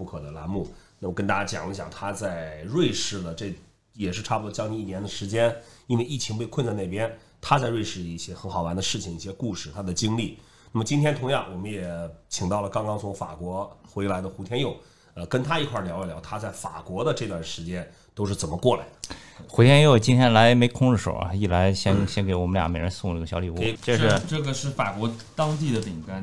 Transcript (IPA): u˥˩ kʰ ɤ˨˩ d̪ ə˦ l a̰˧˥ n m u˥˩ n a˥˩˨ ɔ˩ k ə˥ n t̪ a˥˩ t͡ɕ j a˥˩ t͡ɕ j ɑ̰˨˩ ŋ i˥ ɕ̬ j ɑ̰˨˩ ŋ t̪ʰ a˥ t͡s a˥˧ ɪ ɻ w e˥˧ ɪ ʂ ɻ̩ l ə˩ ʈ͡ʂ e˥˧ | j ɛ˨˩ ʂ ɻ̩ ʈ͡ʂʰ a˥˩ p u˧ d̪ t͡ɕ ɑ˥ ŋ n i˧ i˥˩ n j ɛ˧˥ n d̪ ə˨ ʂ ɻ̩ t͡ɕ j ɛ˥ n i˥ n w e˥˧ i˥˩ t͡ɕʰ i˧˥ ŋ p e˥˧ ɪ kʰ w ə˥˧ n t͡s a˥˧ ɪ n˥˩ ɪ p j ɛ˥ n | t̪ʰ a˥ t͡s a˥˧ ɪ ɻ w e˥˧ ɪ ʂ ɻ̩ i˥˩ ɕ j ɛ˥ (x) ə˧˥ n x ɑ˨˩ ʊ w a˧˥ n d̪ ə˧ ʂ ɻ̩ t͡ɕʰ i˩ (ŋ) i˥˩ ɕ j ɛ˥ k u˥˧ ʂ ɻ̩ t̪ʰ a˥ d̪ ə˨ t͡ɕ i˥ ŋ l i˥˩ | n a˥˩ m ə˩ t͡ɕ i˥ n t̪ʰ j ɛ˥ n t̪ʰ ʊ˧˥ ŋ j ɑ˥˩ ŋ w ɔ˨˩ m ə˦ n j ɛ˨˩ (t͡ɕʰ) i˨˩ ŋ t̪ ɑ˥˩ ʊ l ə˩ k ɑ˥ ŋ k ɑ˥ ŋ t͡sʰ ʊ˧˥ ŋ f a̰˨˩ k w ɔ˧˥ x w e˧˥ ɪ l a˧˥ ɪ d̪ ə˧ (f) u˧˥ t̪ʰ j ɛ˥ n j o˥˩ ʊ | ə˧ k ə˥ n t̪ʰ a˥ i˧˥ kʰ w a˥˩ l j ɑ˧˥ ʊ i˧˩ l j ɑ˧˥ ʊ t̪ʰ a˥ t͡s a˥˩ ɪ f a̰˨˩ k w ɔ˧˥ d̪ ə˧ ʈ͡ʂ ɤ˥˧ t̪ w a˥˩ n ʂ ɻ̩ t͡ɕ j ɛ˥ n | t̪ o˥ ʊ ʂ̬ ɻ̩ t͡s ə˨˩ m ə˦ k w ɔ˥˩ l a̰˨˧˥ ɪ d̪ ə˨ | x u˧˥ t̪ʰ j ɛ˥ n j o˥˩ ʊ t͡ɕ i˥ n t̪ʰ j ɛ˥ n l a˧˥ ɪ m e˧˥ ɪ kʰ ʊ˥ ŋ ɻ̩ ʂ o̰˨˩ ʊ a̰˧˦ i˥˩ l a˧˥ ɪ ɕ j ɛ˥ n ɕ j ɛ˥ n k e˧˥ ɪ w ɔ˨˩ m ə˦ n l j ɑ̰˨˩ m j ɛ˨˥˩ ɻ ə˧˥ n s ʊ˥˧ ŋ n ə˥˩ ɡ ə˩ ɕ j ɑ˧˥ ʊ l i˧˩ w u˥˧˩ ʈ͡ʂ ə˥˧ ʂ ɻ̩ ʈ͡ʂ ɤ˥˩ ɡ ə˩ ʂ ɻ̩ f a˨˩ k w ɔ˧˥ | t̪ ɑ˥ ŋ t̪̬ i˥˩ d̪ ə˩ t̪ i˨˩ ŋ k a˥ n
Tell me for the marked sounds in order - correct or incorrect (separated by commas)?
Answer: correct, correct, correct, incorrect